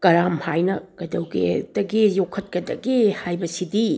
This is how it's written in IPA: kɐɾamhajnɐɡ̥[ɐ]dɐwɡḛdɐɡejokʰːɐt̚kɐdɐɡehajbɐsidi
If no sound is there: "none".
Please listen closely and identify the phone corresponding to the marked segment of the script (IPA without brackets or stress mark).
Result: ɐ